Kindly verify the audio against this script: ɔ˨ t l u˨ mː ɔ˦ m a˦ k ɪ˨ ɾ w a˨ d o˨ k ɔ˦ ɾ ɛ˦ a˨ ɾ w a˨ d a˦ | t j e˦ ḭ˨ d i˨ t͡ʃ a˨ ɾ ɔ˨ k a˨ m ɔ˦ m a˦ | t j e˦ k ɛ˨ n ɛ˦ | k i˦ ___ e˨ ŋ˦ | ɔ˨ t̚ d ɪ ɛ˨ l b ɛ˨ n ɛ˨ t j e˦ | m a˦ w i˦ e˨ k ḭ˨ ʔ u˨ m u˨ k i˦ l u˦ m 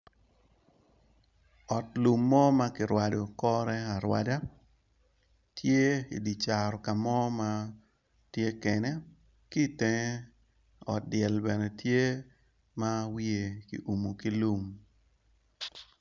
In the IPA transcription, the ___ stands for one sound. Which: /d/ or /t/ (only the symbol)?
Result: t